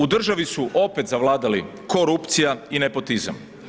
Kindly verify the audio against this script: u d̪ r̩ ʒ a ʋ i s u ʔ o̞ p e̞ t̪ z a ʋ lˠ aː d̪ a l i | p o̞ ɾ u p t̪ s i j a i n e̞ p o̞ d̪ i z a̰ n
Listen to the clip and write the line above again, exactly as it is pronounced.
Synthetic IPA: u d̪ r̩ ʒ a ʋ i s u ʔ o̞ p e̞ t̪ z a ʋ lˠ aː d̪ a l i | k o̞ ɾ u p t̪ s i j a i n e̞ p o̞ t̪ i z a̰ m